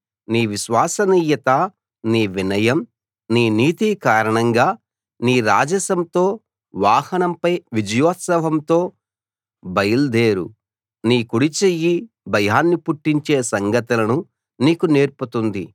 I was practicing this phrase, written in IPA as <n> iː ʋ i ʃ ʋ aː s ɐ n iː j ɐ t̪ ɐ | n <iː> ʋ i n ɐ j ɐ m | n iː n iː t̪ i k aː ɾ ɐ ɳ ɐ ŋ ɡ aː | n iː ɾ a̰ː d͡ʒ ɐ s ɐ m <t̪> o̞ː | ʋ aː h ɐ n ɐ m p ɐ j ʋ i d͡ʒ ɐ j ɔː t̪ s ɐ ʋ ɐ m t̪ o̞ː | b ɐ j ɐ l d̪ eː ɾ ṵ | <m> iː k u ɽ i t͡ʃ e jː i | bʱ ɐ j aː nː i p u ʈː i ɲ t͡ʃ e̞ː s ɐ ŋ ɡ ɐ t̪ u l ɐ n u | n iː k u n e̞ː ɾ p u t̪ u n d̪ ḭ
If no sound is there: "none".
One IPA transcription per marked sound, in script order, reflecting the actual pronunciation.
n, iː, t̪, n

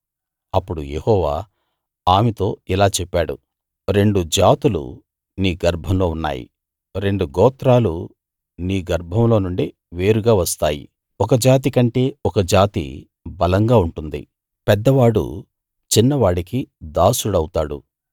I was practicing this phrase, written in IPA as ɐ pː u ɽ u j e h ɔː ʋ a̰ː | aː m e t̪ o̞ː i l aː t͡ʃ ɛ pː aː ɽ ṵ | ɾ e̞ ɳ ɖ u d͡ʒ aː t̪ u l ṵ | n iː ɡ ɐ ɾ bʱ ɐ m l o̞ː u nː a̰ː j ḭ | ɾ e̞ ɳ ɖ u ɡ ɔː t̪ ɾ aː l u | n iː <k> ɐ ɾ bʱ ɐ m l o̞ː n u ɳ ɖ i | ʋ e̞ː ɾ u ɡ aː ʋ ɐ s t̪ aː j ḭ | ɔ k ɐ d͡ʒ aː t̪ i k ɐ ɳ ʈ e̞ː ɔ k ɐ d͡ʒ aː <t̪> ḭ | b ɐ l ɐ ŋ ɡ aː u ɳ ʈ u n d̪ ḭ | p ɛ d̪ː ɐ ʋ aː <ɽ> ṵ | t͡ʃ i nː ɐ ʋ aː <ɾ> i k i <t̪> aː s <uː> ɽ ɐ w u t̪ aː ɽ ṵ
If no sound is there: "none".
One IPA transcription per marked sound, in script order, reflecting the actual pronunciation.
ɡ, t̪, ɽ, ɽ, d̪, u

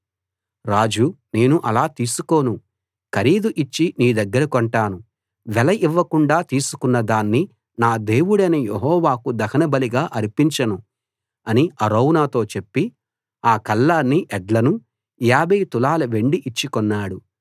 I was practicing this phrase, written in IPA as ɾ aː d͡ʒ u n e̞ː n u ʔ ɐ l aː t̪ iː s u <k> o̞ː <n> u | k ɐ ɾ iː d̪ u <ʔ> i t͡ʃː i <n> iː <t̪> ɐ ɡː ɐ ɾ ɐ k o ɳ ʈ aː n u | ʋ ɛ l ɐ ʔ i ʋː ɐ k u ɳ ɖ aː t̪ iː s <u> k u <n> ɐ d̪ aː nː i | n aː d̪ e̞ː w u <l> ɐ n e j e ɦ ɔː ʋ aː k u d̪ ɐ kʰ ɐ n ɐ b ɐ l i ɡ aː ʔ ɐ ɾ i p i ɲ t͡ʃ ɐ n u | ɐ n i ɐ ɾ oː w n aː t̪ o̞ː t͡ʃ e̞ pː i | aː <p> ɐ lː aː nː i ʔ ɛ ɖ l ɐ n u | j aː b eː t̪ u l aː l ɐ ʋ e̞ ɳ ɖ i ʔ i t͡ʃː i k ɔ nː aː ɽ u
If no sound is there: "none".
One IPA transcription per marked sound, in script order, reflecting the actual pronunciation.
k, n, ʔ, n, d̪, u, nː, ɽ, k

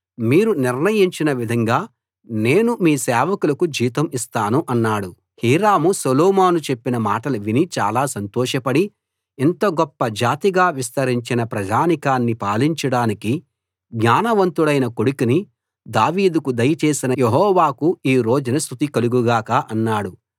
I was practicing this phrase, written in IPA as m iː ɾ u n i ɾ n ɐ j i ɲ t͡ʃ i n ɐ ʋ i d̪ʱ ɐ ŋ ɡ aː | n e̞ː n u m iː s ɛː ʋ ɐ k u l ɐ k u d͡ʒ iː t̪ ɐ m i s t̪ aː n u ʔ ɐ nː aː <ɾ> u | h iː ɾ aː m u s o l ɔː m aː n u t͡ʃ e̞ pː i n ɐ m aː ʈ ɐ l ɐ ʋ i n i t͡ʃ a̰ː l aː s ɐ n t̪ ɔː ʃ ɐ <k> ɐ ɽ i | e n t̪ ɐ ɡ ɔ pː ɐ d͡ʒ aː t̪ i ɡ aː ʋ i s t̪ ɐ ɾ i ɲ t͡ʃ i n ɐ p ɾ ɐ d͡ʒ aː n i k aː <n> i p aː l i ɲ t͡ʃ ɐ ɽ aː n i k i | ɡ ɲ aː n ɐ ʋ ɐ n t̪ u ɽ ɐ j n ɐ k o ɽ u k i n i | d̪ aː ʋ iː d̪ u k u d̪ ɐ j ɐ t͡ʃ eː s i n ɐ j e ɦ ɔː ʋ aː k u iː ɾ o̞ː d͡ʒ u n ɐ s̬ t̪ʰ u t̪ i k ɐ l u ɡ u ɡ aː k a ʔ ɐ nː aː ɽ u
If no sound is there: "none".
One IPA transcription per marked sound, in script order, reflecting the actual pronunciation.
ɽ, p, nː

